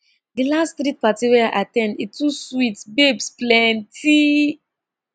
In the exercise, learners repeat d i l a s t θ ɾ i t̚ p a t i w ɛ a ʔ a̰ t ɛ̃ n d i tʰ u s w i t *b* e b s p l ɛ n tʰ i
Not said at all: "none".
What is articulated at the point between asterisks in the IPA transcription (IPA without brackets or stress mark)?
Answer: b